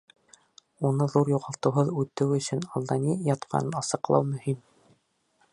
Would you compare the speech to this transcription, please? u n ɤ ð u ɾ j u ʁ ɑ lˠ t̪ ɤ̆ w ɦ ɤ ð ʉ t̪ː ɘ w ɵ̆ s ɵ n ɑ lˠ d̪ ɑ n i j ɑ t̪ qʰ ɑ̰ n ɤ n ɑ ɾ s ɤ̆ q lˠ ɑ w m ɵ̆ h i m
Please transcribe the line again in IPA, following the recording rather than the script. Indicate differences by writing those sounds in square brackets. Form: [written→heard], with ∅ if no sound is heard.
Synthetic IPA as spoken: u n ɤ ð u ɾ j u ʁ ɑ lˠ t̪ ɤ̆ w ɦ ɤ ð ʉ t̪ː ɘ w ɵ̆ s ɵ n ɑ lˠ d̪ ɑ n i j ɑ t̪ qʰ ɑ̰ n ɤ n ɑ [ɾ→∅] s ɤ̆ q lˠ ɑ w m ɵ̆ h i m